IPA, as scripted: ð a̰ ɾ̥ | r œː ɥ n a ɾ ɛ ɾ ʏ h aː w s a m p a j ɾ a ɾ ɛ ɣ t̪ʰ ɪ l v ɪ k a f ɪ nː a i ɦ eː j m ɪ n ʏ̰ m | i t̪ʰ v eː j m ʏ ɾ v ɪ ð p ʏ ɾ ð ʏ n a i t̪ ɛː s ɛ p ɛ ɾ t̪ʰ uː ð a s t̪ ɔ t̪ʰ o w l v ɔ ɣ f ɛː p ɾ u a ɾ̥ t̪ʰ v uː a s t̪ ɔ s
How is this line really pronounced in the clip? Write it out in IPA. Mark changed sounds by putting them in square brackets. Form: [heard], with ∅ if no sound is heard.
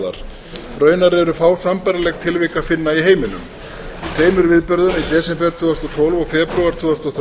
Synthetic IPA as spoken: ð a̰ ɾ̥ | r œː ɥ n a ɾ ɛ ɾ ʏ [f] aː w s a m p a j ɾ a [l] ɛ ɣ t̪ʰ ɪ l v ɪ k a f ɪ nː a i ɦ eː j m ɪ n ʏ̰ m | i t̪ʰ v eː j m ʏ ɾ v ɪ ð p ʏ ɾ ð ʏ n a i t̪ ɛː s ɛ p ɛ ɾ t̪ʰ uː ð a s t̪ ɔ t̪ʰ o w l v ɔ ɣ f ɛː p ɾ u a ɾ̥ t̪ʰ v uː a s t̪ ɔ [θ]